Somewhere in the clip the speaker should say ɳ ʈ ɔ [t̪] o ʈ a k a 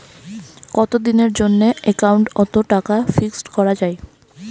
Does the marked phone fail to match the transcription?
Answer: no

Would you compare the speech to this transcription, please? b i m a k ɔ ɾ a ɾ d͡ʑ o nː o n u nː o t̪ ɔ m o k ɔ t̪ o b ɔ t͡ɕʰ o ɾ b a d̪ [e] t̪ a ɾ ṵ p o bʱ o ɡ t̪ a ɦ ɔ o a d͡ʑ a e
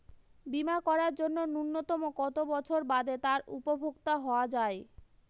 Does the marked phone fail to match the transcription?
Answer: no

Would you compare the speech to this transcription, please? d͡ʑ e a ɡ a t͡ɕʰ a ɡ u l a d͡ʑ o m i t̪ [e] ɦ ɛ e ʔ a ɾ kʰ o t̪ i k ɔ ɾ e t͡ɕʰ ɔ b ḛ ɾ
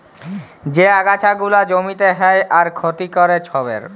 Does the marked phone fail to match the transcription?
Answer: no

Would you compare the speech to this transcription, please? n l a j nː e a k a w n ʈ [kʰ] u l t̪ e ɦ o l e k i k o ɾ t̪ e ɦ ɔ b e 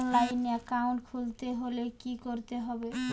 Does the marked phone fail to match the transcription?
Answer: no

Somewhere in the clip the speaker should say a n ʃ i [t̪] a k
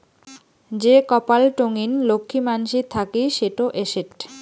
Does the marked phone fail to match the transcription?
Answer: yes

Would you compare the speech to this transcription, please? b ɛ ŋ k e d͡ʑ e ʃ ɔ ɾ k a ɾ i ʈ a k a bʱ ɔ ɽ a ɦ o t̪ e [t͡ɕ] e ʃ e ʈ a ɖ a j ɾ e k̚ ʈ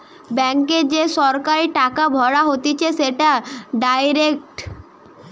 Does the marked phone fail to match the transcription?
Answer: yes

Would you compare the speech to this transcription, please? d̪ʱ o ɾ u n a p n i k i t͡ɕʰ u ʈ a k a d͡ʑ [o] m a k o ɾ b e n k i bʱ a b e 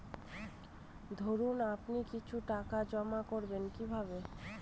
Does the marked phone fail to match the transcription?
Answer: yes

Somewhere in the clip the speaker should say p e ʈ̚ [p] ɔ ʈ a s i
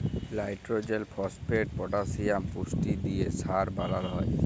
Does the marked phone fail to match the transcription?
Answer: no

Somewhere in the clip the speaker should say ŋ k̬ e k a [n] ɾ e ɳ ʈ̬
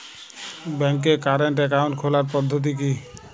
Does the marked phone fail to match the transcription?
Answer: yes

